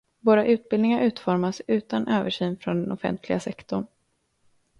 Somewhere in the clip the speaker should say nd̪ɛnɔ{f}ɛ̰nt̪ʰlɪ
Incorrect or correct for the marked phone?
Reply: correct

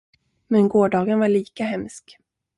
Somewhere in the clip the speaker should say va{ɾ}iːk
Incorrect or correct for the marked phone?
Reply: incorrect: ɭ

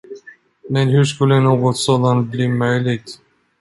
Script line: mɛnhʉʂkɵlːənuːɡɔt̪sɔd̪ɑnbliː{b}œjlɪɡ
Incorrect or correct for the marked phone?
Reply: incorrect: m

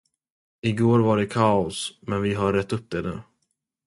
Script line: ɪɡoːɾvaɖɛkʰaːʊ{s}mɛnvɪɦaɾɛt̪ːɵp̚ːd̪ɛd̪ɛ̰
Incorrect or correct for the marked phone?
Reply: correct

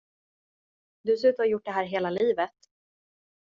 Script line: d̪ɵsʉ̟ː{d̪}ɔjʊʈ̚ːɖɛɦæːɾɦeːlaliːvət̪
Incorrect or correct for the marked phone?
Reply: incorrect: t̪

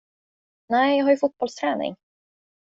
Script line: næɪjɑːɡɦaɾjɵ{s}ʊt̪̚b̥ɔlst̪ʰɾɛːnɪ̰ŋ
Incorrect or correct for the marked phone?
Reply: incorrect: f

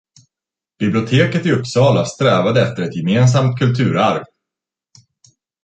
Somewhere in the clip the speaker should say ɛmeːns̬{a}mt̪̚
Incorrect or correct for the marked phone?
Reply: correct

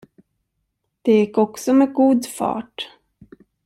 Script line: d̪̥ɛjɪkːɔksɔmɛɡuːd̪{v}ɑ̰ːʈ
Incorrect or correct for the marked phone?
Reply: incorrect: f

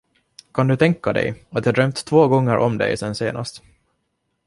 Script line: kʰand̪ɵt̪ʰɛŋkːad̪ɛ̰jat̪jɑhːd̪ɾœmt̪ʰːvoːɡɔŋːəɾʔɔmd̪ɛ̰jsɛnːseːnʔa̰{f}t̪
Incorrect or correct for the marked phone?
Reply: incorrect: s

